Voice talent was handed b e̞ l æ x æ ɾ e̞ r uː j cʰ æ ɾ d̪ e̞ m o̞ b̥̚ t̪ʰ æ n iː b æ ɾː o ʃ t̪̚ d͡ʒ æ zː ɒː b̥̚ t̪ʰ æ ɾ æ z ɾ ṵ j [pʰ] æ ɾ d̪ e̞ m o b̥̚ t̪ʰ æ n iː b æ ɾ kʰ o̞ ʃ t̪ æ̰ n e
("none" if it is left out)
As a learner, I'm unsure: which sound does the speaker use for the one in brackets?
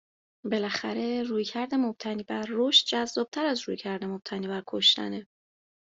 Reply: cʰ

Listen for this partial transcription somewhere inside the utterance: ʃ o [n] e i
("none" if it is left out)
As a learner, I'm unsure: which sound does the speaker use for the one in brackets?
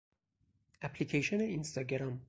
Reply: n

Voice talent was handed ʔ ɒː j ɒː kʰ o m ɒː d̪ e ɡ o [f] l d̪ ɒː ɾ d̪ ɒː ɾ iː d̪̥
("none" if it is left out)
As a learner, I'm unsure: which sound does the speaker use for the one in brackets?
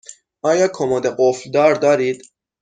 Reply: f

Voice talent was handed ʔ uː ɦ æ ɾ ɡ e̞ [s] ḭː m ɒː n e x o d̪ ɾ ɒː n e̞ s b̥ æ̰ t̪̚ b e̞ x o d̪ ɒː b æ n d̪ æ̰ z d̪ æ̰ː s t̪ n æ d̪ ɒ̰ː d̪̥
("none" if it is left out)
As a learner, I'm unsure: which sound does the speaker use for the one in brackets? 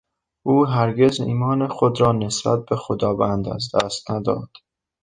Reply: z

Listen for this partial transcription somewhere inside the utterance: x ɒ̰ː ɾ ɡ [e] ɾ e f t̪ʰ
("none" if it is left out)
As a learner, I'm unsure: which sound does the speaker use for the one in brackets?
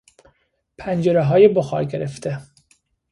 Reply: e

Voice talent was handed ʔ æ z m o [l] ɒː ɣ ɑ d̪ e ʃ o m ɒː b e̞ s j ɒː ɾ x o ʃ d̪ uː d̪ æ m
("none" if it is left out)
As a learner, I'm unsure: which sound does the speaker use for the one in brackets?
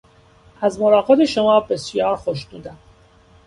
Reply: ɾ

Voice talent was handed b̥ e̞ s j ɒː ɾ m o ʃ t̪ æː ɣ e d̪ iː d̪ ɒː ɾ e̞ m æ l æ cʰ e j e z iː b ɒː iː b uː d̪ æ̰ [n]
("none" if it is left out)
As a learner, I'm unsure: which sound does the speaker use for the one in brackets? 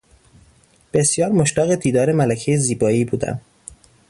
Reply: m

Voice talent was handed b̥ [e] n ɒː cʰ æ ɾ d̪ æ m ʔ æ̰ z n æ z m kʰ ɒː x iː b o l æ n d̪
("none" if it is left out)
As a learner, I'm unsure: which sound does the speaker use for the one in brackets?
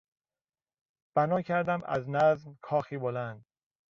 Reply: æ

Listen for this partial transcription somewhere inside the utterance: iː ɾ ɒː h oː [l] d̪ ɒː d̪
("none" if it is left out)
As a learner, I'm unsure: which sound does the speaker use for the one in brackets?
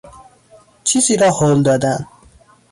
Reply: l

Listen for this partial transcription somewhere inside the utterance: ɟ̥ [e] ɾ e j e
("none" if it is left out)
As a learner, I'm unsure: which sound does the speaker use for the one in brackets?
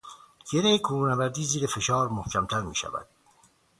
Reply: e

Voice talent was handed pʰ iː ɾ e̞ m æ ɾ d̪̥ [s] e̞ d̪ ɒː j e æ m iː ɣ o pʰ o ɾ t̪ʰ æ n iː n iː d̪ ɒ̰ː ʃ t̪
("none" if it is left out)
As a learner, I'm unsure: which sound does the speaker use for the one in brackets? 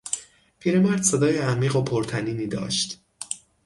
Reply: s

